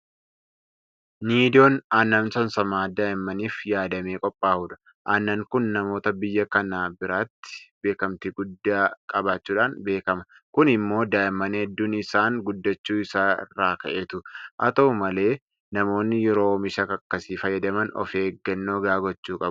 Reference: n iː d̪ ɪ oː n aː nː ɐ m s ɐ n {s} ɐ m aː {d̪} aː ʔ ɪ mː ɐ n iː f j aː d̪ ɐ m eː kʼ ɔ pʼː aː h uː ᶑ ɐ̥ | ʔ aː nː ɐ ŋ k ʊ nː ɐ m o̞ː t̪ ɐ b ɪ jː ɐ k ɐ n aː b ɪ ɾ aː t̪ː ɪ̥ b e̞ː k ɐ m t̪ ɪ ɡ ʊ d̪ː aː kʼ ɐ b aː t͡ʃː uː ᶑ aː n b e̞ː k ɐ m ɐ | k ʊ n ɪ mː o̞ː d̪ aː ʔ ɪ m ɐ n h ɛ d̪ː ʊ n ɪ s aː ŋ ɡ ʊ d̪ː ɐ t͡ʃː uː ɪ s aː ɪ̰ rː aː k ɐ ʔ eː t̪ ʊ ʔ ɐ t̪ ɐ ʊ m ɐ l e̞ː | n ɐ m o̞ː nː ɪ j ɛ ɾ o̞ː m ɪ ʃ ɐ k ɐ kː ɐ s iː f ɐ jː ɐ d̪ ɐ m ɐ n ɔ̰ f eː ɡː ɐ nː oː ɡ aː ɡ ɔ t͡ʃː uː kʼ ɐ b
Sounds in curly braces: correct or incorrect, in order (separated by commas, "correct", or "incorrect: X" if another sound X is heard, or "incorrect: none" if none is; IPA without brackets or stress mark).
correct, correct